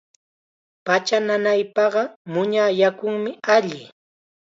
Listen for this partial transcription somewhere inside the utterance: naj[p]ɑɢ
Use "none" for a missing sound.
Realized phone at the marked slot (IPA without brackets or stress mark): p